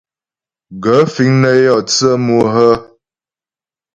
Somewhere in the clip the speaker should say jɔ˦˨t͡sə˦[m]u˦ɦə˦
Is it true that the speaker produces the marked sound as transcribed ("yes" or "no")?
yes